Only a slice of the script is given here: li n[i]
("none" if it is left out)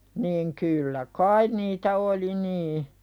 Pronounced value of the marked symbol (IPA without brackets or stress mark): iː